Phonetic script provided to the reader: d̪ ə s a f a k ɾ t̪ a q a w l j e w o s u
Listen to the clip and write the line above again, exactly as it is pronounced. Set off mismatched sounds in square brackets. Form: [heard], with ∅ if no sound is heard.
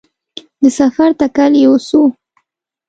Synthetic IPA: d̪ ə s a f a [∅] ɾ t̪ a [k] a [∅] l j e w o s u